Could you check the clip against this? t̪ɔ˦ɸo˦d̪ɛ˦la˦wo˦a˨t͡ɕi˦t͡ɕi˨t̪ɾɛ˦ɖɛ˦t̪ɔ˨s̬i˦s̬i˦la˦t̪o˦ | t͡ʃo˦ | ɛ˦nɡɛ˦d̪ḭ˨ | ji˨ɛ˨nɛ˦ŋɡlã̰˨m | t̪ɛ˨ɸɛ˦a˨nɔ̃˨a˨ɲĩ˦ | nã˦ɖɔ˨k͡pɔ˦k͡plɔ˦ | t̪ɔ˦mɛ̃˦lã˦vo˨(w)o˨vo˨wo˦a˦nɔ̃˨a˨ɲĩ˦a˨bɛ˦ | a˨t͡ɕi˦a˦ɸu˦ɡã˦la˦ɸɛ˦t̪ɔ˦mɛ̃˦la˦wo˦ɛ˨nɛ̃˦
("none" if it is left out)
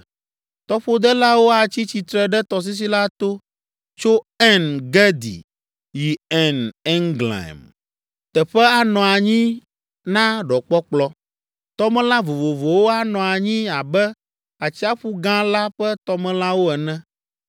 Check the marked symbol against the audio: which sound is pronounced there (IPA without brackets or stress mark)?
v